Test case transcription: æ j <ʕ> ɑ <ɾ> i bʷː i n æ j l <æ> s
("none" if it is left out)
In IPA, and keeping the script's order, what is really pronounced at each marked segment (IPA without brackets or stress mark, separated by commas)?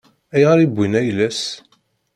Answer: ʁ, ɾ, æ